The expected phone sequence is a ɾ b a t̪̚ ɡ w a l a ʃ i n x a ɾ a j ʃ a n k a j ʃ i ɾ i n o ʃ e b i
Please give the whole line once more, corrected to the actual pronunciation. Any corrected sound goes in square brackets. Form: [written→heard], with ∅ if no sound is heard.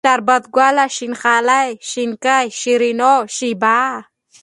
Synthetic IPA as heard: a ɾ b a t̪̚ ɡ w a l a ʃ i n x a [ɾ→l] a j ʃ [a→i] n k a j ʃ i ɾ i n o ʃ [e→i] b [i→a]